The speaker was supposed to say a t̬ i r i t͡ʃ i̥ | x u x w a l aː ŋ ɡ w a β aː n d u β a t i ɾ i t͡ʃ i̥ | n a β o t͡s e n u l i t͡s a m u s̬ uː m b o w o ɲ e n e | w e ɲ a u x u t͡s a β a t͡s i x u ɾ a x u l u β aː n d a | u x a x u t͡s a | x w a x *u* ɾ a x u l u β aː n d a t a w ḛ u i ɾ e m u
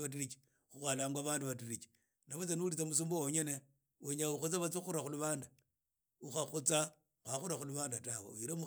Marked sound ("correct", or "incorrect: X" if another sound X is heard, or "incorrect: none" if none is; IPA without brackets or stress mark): correct